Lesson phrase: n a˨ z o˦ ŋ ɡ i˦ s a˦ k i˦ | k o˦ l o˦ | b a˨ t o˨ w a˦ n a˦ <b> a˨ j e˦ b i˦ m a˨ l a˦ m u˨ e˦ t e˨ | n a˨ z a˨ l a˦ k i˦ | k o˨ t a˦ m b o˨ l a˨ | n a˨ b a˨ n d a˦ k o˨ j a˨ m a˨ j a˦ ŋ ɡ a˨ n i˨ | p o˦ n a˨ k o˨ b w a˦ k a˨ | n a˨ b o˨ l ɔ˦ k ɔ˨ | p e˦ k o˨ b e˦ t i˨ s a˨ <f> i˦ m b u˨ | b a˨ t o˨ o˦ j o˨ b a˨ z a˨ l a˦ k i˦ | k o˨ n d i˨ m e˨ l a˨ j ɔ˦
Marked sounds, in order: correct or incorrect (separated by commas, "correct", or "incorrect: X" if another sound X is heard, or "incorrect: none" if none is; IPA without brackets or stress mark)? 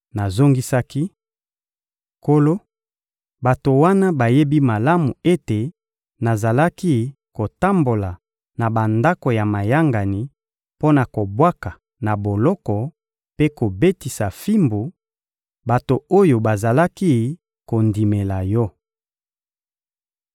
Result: correct, correct